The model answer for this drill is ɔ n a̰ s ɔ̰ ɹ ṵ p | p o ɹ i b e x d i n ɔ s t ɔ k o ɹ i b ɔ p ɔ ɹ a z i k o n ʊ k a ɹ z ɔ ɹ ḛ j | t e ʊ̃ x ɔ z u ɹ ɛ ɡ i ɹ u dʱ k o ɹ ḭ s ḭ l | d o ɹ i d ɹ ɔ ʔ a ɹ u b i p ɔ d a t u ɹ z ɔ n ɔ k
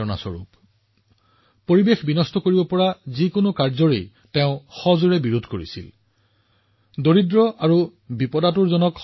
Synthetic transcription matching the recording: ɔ n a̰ s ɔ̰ ɹ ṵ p | p o ɹ i b e x b i n ɔ s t ɔ k o ɹ i b ɔ p ɔ ɹ a z i k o n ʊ k a ɹ z ɔ ɹ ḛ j | t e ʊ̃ x ɔ z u ɹ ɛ b i ɹ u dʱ k o ɹ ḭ s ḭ l | d o ɹ i d ɹ ɔ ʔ a ɹ u b i p ɔ d a t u ɹ z ɔ n ɔ k

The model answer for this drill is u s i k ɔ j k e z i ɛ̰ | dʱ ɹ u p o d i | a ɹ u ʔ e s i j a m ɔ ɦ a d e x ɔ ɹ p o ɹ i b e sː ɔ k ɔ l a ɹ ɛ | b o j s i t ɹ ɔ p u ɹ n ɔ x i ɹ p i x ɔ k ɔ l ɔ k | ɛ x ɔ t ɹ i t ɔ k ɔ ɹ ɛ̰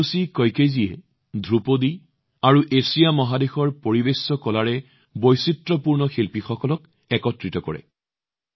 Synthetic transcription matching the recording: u s i k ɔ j k e z i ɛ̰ | dʱ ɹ u p o d i | a ɹ u ʔ e s i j a m ɔ ɦ a d e x ɔ ɹ p o ɹ i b e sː ɔ k ɔ l a ɹ ɛ | b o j s i t ɹ ɔ p u ɹ n ɔ x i l p i x ɔ k ɔ l ɔ k | ɛ k ɔ t ɹ i t ɔ k ɔ ɹ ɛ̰

